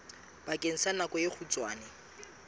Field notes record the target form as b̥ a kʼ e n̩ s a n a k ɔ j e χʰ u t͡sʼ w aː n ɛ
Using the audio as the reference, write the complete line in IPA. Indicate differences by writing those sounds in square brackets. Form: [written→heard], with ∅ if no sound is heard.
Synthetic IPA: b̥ a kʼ e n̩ s a n a k ɔ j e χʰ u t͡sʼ w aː n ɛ